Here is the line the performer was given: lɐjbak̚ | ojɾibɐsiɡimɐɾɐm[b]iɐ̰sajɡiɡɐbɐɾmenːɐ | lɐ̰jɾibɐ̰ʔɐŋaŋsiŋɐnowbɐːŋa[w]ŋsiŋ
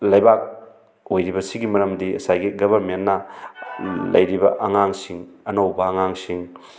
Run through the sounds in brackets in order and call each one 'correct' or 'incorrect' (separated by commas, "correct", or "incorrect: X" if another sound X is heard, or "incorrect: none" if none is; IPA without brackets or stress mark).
incorrect: d, incorrect: none